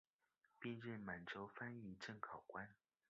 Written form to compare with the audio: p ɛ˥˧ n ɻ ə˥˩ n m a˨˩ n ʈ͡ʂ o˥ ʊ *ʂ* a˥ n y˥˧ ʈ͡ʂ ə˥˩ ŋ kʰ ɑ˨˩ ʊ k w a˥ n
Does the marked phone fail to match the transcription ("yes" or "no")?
yes